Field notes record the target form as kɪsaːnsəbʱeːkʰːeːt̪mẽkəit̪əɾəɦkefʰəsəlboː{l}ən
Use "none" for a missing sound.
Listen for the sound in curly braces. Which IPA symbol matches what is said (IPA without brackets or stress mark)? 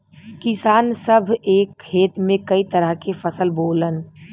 l